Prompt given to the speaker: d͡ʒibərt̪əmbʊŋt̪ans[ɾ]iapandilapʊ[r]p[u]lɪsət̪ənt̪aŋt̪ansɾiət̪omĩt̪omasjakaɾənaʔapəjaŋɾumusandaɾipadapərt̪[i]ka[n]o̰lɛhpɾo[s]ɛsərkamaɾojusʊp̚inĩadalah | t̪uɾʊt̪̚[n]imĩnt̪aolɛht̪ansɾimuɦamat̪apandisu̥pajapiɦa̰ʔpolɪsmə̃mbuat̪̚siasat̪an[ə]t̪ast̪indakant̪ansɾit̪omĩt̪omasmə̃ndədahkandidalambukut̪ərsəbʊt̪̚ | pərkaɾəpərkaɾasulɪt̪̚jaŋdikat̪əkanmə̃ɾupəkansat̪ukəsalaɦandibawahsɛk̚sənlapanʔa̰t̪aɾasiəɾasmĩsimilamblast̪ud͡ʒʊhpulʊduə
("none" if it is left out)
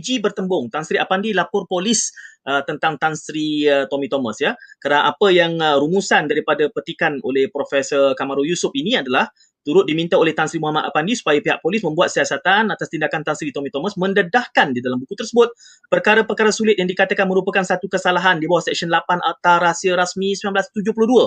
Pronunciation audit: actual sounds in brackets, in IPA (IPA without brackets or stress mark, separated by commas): ɾ, r, o, i, n, f, d, a